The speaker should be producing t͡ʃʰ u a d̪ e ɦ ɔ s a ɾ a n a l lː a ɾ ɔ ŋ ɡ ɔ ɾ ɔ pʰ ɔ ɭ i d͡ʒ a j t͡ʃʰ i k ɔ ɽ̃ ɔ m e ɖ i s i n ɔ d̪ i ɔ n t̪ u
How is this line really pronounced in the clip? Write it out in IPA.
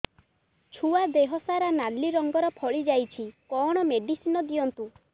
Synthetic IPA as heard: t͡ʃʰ u a d̪ e ɦ ɔ s a ɾ a n a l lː i ɾ ɔ ŋ ɡ ɔ ɾ ɔ pʰ ɔ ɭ i d͡ʒ a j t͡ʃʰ i k ɔ ɽ̃ ɔ m e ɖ i s i n ɔ d̪ i ɔ n t̪ u